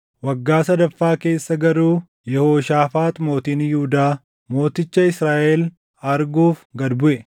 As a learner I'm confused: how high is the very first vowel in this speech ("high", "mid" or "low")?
low